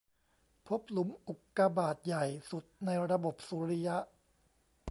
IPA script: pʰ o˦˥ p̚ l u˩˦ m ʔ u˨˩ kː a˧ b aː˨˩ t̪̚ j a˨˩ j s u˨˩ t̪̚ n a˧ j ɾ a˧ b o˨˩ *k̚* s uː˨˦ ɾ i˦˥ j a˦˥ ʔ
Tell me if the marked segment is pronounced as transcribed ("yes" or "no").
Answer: no